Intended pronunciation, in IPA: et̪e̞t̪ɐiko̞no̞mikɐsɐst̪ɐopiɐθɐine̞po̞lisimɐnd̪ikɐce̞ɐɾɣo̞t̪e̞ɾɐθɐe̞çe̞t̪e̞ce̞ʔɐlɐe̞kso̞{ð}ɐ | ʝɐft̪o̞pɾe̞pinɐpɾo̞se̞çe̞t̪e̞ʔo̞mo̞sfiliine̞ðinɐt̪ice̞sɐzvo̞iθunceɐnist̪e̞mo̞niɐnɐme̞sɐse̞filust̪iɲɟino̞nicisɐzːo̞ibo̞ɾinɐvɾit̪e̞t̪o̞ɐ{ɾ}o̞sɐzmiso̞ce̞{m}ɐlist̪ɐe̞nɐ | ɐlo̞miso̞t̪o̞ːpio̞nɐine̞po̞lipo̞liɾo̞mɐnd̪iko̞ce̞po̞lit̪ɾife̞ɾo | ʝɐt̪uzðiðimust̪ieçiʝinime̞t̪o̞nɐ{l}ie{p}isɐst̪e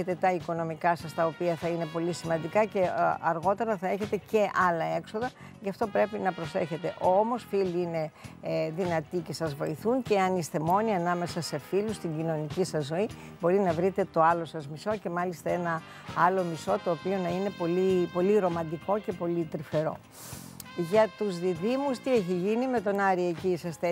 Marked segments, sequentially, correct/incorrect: correct, incorrect, correct, incorrect, incorrect

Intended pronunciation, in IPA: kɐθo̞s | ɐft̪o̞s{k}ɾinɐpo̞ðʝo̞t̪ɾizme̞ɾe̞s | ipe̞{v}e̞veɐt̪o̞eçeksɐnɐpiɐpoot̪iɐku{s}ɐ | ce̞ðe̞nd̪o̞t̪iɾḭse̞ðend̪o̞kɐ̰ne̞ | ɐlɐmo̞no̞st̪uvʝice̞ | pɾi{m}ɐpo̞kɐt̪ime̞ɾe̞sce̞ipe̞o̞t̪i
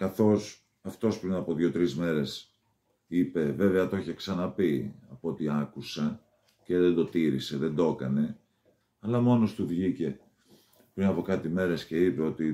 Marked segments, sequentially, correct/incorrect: incorrect, correct, correct, incorrect

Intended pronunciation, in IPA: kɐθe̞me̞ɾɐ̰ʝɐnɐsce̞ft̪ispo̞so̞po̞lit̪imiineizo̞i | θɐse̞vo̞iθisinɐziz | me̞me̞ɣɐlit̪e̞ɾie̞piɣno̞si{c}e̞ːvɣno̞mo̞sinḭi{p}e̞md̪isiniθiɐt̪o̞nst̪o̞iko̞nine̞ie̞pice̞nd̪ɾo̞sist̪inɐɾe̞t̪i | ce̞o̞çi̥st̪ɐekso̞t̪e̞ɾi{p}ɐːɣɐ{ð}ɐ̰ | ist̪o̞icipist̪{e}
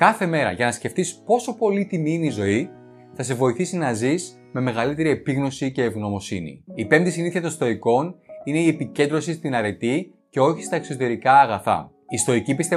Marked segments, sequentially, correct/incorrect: correct, correct, incorrect, incorrect, correct

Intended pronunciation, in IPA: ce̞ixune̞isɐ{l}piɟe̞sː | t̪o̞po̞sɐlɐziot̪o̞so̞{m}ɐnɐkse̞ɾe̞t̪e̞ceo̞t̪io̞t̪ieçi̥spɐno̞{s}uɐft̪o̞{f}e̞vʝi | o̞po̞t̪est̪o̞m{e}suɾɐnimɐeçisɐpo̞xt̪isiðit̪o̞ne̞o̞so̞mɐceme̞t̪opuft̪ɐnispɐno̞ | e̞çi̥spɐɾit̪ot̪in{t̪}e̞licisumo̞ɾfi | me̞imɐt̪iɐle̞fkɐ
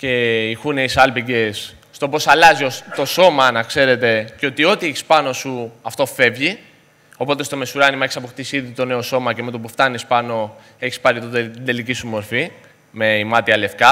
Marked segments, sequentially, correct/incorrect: correct, correct, correct, correct, correct, incorrect

